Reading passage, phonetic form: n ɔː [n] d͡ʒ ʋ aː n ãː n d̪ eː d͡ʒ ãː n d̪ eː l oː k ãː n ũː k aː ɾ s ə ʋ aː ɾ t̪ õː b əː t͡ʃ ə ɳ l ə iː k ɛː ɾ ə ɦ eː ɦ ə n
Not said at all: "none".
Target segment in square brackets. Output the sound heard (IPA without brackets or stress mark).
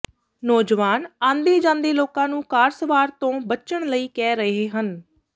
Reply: none